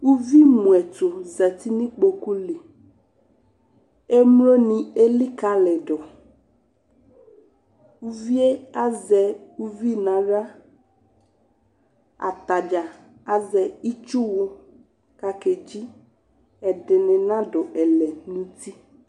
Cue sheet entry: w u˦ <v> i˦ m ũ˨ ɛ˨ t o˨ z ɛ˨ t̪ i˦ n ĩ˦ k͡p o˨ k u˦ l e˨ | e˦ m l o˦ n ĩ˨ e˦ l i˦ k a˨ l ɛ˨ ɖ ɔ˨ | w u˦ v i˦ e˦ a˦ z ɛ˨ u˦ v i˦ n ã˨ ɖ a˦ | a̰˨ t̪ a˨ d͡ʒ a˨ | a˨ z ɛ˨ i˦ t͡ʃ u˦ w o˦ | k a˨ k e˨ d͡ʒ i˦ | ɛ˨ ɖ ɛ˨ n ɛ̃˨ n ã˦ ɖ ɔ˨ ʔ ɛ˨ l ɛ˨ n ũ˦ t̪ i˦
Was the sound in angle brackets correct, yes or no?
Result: yes